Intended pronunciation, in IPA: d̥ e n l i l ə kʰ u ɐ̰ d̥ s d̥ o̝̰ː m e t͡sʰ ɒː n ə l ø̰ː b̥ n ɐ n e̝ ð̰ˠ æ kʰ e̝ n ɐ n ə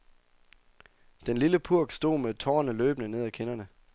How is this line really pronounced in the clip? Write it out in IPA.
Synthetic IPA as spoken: d̥ e n l i l ə pʰ u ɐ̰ ɡ̥ s d̥ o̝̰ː m e t͡sʰ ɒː n ə l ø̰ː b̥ n ə n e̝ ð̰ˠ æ kʰ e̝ n ɐ n ə